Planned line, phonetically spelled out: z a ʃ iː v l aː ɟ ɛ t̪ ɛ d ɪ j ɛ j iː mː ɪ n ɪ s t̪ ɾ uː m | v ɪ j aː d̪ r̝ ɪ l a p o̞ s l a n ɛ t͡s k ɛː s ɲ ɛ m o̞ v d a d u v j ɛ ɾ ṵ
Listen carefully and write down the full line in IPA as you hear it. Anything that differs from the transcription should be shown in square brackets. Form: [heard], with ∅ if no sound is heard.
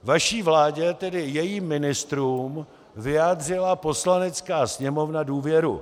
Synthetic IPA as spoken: [v] a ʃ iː v l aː ɟ ɛ t̪ ɛ d ɪ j ɛ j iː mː ɪ n ɪ s t̪ ɾ uː m | v ɪ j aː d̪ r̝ ɪ l a p o̞ s l a n ɛ t͡s k [aː] s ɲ ɛ m o̞ v [n] a d [uː] v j ɛ ɾ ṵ